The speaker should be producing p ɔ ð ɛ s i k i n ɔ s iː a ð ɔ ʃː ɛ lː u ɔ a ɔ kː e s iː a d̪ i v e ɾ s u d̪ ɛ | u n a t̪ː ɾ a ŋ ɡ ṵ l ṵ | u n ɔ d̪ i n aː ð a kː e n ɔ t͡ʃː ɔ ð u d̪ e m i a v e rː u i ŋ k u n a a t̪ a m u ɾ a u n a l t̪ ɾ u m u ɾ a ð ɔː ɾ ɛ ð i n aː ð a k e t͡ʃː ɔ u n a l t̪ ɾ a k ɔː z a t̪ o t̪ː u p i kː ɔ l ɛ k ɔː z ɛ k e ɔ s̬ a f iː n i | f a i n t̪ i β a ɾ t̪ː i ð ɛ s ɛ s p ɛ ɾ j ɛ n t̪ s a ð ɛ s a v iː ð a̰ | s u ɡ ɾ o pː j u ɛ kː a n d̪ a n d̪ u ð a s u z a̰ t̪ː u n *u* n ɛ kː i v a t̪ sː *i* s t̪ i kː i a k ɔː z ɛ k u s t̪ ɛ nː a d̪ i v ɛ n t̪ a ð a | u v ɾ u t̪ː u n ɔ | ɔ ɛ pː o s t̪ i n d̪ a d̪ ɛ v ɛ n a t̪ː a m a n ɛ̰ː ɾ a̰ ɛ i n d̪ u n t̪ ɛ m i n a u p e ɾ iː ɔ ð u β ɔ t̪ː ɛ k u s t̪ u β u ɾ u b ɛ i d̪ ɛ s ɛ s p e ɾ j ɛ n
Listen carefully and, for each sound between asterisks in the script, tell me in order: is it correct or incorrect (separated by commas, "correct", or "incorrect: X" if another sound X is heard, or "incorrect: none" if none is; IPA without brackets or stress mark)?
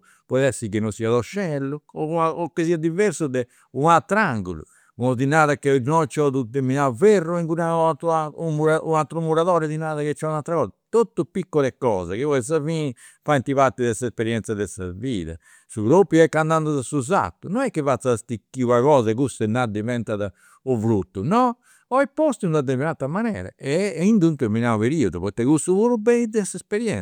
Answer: incorrect: ɔ, incorrect: a